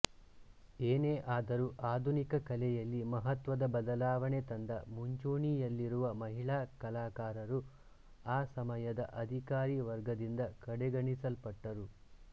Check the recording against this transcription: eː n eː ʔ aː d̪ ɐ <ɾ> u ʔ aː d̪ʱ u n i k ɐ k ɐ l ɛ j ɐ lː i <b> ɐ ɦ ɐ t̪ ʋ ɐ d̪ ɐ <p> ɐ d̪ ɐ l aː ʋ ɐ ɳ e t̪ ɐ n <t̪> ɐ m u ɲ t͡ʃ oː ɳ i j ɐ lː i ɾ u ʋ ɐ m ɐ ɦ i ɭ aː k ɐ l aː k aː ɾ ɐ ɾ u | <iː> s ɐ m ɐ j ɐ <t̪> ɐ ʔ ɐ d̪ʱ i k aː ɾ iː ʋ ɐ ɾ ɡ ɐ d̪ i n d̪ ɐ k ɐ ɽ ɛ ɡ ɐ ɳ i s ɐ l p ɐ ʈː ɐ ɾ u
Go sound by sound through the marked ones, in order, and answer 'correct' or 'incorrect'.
correct, incorrect: m, incorrect: b, incorrect: d̪, incorrect: aː, incorrect: d̪

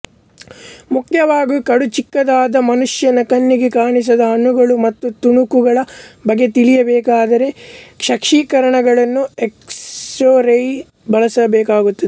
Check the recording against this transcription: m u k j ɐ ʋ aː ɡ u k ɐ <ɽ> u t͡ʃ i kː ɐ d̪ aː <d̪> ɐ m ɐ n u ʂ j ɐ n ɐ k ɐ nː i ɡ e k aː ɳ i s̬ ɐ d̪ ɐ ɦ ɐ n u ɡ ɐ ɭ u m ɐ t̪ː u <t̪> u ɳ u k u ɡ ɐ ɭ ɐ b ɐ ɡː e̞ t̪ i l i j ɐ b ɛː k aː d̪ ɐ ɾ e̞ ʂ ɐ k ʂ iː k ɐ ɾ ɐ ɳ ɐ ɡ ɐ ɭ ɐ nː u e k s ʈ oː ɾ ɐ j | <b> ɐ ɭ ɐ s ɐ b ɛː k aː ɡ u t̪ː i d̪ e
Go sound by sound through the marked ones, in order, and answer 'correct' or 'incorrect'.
correct, correct, correct, correct

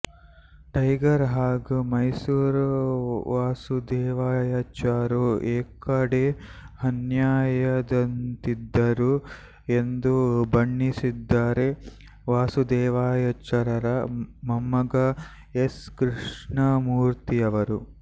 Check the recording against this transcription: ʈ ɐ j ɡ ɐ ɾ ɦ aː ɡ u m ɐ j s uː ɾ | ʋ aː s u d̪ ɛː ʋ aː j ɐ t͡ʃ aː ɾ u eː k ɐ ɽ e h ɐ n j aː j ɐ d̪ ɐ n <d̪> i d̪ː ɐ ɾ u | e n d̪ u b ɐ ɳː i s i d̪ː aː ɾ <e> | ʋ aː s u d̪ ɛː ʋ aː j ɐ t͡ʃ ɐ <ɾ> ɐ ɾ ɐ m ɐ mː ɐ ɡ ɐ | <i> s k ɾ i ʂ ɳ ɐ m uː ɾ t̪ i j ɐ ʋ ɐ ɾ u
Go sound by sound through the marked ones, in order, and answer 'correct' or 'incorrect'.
incorrect: t̪, correct, correct, incorrect: e

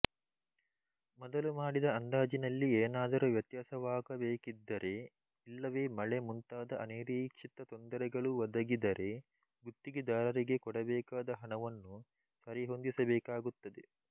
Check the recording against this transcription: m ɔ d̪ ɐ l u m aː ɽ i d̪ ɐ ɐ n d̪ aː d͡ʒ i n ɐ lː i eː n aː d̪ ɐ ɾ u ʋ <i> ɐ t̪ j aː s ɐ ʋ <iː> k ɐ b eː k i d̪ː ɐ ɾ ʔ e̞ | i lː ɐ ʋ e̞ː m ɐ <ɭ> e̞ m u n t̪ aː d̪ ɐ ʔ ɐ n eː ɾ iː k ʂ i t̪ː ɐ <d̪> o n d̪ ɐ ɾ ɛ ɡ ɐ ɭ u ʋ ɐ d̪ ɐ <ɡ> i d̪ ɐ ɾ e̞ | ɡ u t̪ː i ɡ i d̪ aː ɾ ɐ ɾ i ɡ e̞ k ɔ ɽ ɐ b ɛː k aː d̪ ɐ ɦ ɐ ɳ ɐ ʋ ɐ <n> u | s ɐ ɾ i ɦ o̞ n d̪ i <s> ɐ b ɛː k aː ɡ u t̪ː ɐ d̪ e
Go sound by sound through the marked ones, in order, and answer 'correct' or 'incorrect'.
incorrect: j, incorrect: aː, correct, incorrect: t̪, correct, incorrect: nː, correct

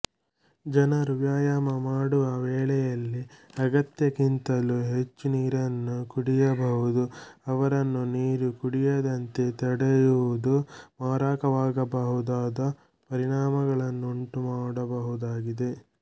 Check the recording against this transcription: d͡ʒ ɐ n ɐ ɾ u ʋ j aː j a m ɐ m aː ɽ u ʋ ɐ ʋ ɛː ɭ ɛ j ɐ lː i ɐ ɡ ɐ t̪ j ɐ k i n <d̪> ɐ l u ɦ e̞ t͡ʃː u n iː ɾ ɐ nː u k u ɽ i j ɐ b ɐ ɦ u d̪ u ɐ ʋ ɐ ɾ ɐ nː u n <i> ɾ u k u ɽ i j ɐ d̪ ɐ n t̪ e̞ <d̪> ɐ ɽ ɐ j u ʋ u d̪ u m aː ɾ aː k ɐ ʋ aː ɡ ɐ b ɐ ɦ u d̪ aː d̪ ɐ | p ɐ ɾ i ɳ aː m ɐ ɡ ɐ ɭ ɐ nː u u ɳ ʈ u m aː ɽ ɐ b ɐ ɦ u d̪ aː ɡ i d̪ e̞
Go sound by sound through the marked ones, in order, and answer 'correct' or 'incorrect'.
incorrect: t̪, incorrect: iː, incorrect: t̪

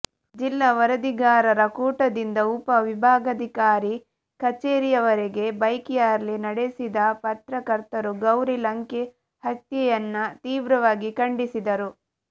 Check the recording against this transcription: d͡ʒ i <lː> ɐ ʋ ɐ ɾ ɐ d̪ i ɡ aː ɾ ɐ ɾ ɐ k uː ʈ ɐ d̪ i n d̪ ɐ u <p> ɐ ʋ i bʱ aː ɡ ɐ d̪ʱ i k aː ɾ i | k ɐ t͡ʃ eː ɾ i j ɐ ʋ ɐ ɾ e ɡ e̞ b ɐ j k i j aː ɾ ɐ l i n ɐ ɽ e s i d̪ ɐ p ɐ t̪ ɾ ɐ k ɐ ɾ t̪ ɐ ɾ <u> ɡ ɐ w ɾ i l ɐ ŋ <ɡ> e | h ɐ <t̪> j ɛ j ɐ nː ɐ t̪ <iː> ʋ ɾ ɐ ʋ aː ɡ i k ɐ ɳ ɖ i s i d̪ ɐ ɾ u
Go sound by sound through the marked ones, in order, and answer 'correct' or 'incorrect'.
correct, correct, correct, incorrect: k, correct, correct

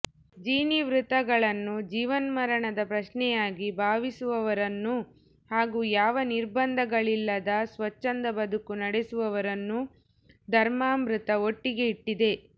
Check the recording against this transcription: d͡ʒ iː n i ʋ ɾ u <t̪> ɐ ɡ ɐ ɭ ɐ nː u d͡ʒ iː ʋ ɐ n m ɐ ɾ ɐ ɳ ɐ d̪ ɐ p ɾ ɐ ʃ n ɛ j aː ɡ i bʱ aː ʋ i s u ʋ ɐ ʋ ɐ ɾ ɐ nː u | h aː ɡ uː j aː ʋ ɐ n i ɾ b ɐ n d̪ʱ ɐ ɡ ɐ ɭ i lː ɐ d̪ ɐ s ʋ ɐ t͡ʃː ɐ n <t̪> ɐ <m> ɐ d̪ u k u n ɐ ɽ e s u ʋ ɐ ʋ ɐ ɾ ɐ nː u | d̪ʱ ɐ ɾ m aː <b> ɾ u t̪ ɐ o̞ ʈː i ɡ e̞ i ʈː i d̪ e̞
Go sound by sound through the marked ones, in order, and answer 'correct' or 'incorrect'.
correct, incorrect: d̪, incorrect: b, incorrect: m

